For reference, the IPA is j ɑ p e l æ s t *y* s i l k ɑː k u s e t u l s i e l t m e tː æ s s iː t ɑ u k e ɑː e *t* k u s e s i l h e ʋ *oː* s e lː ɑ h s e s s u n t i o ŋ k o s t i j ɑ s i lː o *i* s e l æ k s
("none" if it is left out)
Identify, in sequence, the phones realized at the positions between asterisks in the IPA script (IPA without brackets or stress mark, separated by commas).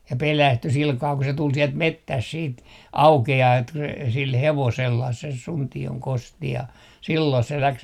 y, t, o, i